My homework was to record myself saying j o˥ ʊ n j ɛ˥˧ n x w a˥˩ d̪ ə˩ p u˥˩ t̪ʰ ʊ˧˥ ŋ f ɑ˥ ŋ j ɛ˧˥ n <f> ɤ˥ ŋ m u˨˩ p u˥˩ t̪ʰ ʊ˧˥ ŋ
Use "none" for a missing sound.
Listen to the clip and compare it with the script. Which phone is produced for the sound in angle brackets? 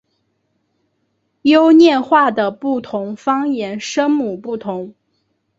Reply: ʂ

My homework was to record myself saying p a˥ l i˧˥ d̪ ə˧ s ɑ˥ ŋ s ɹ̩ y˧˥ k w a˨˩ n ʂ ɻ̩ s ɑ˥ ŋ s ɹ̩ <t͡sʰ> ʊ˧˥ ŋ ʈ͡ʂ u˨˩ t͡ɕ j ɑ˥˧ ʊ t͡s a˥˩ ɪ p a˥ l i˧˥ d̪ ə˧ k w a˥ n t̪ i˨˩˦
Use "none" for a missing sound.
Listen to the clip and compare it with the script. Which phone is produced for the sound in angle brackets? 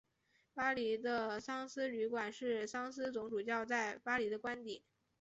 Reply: t͡s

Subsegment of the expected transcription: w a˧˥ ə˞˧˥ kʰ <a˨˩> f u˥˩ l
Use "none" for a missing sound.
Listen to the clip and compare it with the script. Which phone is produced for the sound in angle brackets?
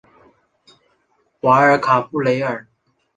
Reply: a˨˩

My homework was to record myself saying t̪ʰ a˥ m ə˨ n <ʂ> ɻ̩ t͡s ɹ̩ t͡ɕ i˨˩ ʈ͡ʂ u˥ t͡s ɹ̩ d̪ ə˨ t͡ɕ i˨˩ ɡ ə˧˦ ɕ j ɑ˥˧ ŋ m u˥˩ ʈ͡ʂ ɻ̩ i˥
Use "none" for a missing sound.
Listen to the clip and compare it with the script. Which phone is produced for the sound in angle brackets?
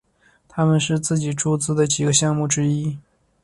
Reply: ʂ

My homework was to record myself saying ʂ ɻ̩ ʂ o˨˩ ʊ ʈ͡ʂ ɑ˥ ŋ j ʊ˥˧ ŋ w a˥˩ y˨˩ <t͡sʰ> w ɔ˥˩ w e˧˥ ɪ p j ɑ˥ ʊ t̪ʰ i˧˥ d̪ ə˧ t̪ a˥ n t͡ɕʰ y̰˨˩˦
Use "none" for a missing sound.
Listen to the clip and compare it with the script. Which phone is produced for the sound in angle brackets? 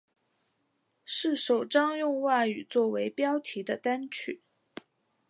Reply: t͡s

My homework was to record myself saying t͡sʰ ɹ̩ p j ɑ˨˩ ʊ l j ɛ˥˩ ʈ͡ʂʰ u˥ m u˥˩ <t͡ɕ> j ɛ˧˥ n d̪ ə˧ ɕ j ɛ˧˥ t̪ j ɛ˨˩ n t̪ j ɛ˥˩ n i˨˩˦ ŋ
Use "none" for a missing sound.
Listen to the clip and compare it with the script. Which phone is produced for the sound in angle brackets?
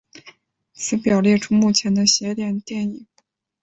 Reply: t͡ɕʰ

